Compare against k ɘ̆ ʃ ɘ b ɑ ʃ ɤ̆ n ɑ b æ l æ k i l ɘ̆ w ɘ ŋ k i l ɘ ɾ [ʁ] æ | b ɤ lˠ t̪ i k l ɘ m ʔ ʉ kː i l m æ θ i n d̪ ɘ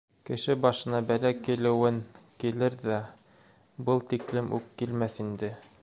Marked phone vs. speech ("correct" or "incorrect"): incorrect